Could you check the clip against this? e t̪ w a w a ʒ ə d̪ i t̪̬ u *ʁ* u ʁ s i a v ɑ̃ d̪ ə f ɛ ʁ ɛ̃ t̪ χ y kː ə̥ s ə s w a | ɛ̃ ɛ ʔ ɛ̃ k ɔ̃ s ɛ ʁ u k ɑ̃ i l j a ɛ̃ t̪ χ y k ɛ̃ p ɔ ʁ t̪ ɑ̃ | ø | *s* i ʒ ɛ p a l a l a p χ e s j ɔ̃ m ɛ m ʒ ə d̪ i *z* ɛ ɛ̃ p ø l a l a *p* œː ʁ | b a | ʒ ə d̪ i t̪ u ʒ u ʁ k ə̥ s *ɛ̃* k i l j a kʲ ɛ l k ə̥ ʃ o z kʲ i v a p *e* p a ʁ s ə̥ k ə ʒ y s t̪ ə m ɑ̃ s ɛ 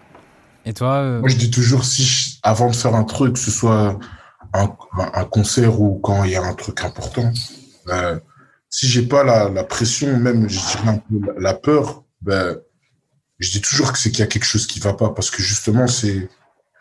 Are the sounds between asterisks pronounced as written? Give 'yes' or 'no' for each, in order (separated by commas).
no, yes, no, yes, no, no